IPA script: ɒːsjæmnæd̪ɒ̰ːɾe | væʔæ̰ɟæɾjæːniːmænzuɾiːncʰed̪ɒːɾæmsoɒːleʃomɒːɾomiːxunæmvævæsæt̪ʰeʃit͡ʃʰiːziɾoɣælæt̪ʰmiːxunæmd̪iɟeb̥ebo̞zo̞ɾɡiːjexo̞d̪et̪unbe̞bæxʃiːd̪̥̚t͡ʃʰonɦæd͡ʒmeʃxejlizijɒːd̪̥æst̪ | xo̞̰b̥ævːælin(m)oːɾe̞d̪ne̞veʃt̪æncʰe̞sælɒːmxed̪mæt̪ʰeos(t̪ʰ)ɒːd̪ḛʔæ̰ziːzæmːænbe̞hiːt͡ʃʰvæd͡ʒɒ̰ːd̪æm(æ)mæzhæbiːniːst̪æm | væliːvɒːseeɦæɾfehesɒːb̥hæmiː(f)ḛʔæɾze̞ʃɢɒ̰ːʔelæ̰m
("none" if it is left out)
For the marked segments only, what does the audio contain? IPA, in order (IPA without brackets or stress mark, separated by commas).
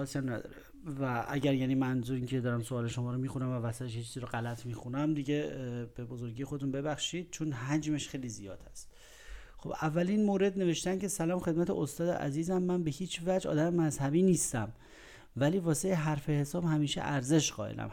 m, t̪, e, ʃ